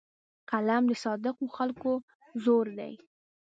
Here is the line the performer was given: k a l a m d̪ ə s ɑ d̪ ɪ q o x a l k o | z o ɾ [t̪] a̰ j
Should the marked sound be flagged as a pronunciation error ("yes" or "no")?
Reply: yes